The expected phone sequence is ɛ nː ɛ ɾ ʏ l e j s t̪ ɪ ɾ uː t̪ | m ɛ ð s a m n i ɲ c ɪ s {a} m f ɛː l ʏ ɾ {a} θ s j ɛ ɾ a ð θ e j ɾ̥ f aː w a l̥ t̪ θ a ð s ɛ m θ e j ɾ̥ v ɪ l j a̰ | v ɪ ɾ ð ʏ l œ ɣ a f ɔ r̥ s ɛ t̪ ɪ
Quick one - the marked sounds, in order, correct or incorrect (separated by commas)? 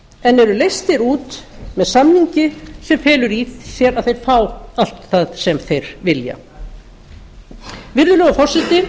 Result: incorrect, incorrect